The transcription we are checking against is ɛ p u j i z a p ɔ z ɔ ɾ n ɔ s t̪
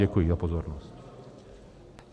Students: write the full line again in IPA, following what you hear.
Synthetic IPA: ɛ k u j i z a p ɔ z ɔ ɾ n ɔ s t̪